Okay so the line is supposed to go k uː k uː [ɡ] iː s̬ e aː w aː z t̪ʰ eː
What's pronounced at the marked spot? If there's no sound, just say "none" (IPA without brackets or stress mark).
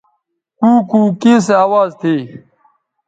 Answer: k